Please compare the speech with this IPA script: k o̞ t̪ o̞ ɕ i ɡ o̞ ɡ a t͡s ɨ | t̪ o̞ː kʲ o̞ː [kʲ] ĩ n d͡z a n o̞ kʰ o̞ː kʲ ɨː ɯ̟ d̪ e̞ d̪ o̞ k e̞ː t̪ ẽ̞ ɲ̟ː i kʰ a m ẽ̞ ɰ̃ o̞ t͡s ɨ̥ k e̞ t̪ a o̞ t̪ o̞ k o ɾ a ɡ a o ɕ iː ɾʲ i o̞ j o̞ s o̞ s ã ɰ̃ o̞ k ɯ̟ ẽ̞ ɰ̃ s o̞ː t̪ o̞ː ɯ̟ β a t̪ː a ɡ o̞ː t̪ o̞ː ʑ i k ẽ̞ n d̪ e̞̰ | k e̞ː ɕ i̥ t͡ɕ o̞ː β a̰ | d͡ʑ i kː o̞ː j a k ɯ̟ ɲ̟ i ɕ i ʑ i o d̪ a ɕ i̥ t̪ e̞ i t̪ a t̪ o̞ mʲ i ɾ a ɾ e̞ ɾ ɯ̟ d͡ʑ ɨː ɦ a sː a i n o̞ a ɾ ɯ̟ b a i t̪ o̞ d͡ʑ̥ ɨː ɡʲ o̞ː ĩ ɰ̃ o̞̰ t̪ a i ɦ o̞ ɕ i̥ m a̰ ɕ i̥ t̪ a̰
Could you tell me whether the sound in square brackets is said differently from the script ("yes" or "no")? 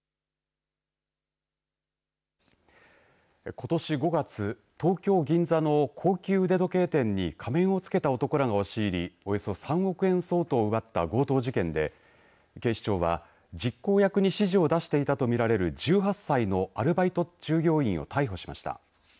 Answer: yes